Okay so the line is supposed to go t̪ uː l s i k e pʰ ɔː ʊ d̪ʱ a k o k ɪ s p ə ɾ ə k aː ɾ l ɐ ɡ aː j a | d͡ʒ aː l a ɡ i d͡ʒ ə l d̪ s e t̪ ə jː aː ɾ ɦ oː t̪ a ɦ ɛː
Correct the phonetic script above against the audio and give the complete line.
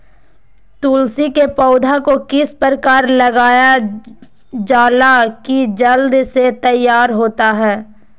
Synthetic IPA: t̪ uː l s i k e p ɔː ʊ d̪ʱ a k o k ɪ s p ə ɾ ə k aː ɾ l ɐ ɡ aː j a | d͡ʒ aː l a k i d͡ʒ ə l d̪ s e t̪ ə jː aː ɾ ɦ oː t̪ a ɦ ɛː